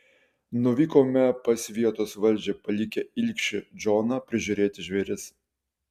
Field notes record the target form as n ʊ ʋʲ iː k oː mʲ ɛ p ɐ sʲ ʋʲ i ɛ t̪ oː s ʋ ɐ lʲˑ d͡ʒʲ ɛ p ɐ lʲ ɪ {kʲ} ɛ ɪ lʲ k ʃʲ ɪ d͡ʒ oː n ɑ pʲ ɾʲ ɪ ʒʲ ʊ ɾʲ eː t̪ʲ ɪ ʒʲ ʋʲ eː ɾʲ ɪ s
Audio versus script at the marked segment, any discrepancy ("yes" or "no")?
no